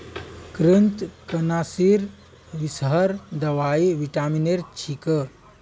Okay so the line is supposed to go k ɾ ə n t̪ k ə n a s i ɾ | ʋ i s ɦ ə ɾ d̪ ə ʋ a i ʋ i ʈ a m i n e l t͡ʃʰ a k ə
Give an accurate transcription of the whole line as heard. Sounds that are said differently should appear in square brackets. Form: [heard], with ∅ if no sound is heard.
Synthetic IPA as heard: k ɾ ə n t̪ k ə n a s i ɾ | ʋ i s ɦ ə ɾ d̪ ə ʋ a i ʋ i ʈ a m i n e [ɾ] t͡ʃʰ [i] k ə